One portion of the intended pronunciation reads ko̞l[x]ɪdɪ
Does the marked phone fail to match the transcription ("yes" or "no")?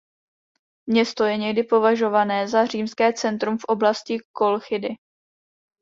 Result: no